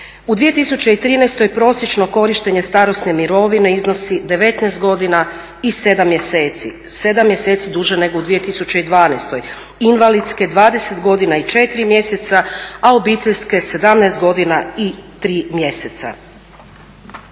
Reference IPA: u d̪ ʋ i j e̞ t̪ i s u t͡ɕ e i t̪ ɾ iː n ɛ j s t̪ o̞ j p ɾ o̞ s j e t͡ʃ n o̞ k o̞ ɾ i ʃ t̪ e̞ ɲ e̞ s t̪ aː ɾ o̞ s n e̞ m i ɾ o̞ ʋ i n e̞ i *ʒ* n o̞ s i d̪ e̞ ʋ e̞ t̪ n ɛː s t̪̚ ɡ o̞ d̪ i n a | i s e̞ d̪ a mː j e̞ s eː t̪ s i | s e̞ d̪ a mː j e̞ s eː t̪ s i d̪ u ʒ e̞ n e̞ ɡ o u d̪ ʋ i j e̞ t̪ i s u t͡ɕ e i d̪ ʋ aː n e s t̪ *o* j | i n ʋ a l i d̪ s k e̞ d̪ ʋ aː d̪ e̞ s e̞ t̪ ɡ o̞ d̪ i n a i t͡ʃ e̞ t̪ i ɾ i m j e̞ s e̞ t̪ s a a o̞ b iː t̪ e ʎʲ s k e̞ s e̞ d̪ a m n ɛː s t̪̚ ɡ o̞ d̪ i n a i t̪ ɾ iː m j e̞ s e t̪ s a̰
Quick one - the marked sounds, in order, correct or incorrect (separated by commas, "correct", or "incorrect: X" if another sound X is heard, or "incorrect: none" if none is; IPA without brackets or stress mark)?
incorrect: z, correct